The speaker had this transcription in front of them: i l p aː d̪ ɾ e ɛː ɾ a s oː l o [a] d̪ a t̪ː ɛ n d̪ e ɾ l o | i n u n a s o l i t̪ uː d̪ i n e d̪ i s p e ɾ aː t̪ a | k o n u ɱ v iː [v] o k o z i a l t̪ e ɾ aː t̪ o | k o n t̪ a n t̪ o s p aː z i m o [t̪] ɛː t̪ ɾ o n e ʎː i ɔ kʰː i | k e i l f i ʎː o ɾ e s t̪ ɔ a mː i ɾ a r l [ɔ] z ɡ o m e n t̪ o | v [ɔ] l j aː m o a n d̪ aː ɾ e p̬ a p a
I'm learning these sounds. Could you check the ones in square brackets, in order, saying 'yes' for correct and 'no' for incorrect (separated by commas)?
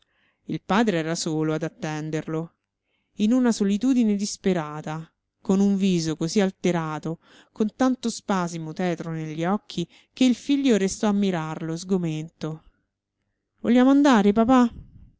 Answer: yes, no, yes, no, no